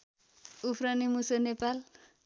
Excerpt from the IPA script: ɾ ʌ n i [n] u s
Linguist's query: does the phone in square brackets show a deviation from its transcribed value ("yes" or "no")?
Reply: yes